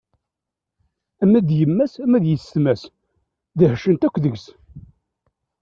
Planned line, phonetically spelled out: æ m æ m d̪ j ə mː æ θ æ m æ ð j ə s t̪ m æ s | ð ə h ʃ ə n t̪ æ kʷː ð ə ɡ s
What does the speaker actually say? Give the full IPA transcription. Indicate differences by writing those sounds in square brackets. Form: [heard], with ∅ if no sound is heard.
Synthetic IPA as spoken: æ m æ [∅] d̪ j ə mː æ [s] æ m æ ð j ə s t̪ m æ s | ð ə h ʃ ə n t̪ æ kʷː ð ə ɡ s